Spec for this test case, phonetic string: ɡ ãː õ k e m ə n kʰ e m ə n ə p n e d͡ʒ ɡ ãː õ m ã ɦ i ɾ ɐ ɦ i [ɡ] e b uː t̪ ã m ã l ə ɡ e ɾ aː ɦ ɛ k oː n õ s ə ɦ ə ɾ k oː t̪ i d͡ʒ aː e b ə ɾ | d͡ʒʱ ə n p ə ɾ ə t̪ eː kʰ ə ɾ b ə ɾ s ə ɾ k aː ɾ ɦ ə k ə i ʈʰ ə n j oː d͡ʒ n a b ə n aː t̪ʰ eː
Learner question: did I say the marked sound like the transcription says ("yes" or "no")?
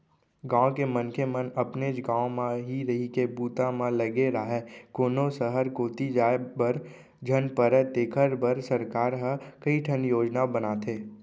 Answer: no